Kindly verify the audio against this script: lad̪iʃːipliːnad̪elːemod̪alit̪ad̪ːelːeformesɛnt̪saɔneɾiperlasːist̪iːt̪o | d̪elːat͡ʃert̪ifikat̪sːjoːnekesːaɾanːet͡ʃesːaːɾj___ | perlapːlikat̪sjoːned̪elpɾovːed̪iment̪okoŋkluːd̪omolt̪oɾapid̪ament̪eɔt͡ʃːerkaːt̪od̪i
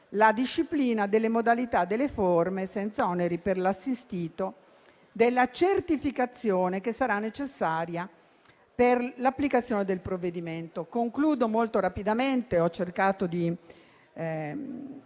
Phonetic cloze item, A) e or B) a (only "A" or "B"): B